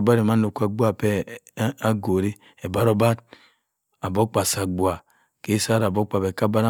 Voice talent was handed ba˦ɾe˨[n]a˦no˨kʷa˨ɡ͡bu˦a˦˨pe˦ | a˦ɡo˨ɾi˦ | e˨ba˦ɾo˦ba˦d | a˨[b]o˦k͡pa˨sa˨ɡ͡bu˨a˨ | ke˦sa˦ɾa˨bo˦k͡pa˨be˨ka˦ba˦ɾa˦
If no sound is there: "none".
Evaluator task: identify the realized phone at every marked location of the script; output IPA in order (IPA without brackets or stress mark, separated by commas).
m, b